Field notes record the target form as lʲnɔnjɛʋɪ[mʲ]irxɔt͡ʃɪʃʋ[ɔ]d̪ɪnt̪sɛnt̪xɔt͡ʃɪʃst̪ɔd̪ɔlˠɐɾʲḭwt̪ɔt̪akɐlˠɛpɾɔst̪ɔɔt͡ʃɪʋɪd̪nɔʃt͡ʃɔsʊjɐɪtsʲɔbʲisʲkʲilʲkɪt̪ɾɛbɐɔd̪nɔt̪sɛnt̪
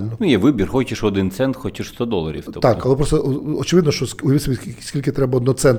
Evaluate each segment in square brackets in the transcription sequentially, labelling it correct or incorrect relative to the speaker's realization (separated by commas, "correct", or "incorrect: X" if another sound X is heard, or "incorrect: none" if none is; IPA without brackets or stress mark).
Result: incorrect: bʲ, correct